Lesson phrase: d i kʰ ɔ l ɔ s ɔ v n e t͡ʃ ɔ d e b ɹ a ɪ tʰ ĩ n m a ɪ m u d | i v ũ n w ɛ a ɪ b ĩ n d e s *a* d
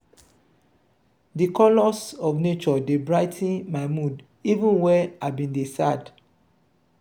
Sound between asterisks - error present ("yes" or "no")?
no